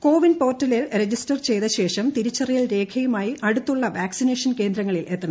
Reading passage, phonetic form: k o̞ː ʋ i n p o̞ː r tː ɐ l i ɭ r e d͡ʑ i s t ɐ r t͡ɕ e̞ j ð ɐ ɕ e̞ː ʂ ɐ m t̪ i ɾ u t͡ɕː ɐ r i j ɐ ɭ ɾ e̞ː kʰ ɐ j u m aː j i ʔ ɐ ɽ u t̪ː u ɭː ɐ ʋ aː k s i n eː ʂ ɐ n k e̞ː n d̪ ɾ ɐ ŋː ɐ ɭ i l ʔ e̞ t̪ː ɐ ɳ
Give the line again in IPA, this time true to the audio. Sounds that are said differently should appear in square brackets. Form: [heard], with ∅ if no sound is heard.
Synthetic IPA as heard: k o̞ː ʋ i n p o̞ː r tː ɐ l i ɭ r e d͡ʑ i s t ɐ r t͡ɕ e̞ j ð ɐ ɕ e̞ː ʂ ɐ m t̪ i ɾ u t͡ɕː ɐ r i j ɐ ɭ ɾ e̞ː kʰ ɐ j u m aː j i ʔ ɐ ɽ u t̪ː u ɭː ɐ ʋ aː k s i n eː ʂ ɐ n k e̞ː n d̪ ɾ ɐ ŋː ɐ ɭ i l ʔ e̞ t̪ː ɐ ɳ